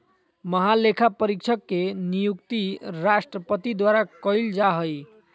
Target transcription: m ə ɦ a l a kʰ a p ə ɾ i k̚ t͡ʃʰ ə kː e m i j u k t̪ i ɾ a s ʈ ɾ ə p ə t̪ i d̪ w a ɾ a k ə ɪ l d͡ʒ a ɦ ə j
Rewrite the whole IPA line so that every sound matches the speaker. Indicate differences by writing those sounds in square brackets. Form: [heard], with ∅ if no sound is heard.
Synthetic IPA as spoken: m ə ɦ a l [e] kʰ a p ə ɾ i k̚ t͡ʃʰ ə kː e [n] i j u k t̪ i ɾ a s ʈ ɾ ə p ə t̪ i d̪ w a ɾ a k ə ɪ l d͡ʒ a ɦ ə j